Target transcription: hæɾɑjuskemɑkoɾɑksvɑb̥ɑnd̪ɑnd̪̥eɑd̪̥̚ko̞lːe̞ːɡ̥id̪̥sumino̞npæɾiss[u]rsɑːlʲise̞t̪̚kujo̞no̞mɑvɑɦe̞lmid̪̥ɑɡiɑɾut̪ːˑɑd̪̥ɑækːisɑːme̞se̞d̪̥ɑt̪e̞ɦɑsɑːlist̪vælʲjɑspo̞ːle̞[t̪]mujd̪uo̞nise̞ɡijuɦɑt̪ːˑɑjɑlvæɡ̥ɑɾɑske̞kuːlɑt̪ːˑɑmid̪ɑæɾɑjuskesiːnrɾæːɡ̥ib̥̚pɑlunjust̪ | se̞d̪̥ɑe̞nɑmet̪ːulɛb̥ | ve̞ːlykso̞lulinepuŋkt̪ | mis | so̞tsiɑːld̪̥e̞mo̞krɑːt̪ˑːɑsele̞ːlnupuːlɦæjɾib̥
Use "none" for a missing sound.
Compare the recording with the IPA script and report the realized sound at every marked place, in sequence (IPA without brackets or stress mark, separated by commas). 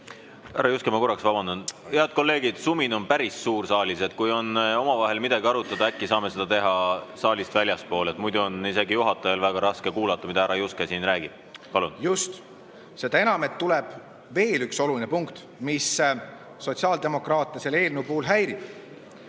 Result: uː, t̪